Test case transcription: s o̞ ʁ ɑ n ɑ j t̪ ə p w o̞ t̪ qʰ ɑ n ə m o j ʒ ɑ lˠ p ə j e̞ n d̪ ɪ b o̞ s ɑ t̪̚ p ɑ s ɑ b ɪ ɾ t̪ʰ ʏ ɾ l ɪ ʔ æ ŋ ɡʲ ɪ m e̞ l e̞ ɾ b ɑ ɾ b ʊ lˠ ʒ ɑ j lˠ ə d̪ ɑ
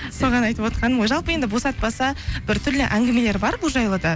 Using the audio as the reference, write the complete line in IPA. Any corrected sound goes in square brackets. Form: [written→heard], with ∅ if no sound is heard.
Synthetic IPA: s o̞ ʁ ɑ n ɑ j t̪ ə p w o̞ t̪ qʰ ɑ n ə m o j ʒ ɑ lˠ p ə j e̞ n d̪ ɪ b o̞ s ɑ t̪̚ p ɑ s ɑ b ɪ ɾ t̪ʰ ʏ ɾ l ɪ ʔ æ ŋ ɡʲ ɪ m e̞ l e̞ ɾ b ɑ ɾ b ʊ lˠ ʒ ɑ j lˠ ə d̪ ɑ